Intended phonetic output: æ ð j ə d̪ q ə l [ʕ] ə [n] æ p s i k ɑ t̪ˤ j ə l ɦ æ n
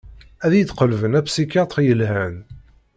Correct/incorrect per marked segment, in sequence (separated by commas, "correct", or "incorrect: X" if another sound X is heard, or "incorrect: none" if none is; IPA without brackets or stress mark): incorrect: v, correct